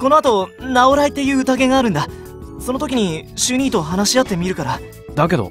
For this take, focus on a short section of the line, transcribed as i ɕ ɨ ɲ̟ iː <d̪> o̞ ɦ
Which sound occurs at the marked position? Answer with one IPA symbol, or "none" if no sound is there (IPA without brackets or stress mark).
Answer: t̪